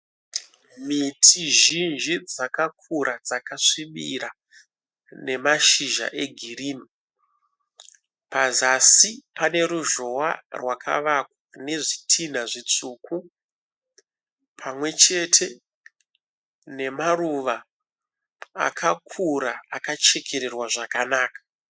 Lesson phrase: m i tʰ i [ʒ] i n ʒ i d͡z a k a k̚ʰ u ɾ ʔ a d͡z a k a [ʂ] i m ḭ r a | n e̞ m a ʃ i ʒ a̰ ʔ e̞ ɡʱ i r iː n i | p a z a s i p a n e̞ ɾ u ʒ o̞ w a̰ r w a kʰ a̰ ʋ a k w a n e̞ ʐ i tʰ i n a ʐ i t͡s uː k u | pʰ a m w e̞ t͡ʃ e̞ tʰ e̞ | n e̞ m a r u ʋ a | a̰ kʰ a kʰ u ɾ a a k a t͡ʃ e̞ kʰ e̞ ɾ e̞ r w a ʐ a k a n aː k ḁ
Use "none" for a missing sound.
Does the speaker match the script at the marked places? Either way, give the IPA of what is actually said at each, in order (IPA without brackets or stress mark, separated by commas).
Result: ʒ, ʂ